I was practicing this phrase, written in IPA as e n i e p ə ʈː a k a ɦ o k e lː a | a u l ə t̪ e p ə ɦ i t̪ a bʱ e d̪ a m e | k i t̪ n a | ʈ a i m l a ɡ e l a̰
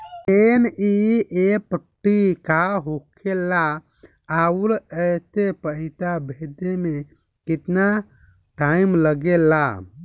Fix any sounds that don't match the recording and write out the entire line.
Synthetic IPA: e n i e p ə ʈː i k a ɦ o kʰ e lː a | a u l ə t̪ e p ə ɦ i t̪ a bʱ e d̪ e m e | k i t̪ n a | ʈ a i m l ə ɡ e l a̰